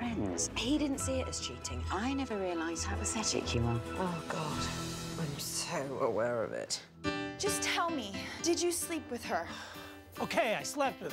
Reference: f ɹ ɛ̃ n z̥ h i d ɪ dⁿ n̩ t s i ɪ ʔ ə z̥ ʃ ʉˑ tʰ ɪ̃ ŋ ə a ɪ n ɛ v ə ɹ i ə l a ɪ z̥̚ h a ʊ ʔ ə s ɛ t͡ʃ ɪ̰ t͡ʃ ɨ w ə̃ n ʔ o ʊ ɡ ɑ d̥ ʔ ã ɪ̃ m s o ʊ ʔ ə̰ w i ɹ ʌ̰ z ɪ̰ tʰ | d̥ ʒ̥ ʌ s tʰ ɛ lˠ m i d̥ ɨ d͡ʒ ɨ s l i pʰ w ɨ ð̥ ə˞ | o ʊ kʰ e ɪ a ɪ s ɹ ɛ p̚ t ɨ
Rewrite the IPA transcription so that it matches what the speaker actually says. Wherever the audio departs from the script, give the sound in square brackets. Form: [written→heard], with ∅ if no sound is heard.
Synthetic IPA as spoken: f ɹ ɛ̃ n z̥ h i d ɪ dⁿ n̩ t s i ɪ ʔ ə z̥ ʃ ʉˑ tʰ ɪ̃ ŋ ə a ɪ n ɛ v ə ɹ i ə l a ɪ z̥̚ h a ʊ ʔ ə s ɛ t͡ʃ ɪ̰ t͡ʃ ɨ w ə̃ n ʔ o ʊ ɡ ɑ d̥ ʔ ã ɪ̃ m s o ʊ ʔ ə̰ w [i→ɛ] ɹ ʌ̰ [z→v] ɪ̰ [tʰ→t] | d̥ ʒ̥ ʌ s tʰ ɛ lˠ m i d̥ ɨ d͡ʒ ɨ s l i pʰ w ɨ ð̥ ə˞ | o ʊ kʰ e ɪ a ɪ s [ɹ→l] ɛ p̚ t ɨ